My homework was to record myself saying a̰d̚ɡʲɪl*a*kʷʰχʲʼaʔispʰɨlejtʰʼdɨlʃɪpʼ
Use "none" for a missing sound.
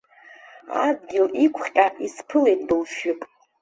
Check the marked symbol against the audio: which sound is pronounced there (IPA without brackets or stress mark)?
i